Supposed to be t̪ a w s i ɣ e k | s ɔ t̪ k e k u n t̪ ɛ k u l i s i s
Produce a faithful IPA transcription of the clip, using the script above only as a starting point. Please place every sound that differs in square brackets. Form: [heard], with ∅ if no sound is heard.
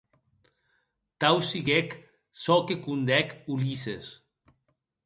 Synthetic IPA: t̪ a w s i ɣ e k | s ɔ [∅] k e k u n [d̪] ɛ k u l i s [e] s